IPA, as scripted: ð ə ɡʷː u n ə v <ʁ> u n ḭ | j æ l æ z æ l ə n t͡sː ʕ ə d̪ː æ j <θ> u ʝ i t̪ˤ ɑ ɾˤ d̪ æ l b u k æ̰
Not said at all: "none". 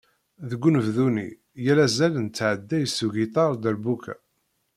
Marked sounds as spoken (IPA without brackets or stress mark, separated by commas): ð, s